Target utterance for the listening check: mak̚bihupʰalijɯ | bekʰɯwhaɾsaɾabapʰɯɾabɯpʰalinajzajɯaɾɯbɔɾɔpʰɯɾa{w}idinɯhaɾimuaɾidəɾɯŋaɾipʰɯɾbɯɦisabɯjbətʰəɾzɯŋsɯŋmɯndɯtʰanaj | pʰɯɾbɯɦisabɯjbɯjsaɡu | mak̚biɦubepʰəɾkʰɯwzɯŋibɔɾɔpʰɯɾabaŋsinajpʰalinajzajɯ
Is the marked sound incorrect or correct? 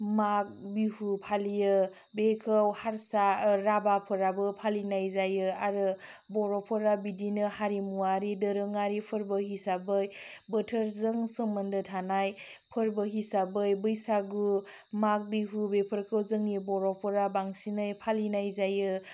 incorrect